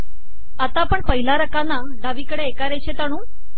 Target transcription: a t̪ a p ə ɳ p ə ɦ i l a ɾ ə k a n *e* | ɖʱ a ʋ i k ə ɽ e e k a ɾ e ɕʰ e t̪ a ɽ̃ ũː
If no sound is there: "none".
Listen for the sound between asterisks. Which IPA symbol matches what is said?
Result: a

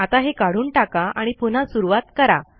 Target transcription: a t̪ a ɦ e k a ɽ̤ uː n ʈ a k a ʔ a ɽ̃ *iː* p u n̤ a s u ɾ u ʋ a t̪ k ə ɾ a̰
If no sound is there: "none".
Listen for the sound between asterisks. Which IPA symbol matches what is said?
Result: i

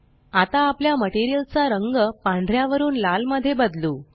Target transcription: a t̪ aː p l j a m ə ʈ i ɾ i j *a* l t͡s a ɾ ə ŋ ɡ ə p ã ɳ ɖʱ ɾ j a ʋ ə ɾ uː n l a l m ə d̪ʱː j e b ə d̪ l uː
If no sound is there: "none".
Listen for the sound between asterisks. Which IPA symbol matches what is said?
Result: ə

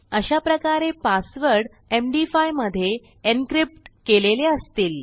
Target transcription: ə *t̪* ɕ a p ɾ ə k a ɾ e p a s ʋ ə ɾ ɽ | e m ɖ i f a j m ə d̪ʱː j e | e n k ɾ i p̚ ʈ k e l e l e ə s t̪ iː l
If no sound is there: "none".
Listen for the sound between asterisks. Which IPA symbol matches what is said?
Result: none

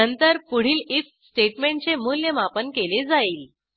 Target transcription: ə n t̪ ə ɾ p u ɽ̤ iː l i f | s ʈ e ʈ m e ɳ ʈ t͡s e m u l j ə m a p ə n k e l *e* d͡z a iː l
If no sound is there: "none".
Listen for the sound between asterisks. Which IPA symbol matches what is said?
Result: e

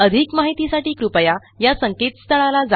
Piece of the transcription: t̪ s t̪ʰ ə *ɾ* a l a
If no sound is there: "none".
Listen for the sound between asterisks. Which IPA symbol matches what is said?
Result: ɭ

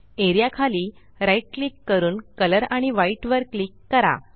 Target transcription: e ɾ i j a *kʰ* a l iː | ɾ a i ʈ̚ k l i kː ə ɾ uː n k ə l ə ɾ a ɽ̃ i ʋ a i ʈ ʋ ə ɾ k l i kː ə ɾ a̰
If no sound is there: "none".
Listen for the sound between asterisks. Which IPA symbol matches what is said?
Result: kʰ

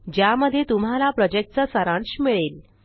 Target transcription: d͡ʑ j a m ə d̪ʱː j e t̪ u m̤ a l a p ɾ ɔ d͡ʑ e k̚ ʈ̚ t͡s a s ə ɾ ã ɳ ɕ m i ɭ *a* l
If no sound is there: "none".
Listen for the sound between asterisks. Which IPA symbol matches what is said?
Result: e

